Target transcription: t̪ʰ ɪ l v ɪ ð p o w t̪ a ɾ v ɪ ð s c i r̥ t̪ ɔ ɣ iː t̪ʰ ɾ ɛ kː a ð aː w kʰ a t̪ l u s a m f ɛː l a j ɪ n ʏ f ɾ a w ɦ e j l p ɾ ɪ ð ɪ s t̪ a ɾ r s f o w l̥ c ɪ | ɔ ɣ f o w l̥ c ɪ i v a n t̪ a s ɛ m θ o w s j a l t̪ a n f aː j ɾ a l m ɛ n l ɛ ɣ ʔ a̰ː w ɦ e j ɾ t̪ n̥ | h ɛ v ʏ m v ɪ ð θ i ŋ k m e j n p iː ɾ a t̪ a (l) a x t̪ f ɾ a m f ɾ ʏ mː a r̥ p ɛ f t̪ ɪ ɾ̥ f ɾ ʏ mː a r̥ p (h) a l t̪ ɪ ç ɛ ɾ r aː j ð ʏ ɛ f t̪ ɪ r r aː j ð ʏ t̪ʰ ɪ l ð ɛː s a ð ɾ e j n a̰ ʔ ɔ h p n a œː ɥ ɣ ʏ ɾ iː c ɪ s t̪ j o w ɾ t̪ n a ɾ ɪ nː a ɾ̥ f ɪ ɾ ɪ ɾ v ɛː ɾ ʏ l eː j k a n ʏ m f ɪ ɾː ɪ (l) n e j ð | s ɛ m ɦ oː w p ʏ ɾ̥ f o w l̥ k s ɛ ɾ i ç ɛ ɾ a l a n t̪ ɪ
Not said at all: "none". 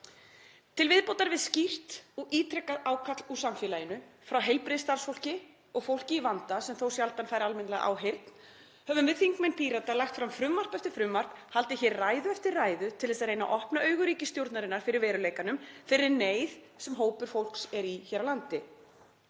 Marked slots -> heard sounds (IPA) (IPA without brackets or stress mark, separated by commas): l, h, ɾ